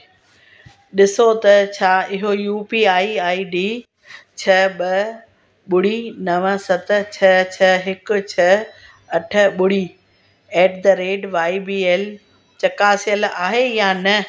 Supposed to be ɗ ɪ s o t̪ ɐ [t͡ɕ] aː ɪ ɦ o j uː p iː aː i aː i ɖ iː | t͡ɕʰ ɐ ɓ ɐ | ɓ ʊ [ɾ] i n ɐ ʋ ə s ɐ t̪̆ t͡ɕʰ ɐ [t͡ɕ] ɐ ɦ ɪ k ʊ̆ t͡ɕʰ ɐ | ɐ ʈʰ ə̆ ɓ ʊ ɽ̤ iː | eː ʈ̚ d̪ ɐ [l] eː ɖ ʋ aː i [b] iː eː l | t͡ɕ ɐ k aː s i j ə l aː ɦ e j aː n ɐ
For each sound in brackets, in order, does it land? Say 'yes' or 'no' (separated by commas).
no, no, no, no, yes